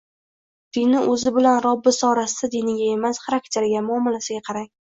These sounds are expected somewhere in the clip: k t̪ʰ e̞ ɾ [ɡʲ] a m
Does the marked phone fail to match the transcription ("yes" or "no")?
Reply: no